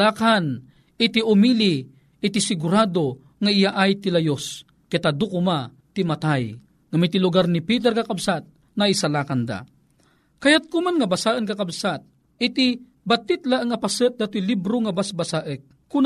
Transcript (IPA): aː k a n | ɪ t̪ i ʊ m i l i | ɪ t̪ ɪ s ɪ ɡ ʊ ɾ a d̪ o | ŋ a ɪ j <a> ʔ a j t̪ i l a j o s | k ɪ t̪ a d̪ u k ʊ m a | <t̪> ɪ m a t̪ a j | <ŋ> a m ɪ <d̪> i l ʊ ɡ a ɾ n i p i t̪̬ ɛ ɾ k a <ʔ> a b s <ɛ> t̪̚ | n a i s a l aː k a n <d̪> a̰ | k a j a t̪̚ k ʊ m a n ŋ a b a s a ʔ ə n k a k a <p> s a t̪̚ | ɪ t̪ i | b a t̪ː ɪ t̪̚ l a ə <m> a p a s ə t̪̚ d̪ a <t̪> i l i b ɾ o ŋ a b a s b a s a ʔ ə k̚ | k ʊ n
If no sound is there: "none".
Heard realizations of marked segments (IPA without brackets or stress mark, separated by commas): a, t̪, ŋ, t̪, k, a, d̪, b, ŋ, t̪